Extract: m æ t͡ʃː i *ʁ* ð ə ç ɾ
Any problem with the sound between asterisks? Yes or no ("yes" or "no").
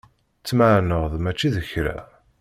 yes